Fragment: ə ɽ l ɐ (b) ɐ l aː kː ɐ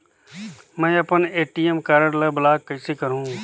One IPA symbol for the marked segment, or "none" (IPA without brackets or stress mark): b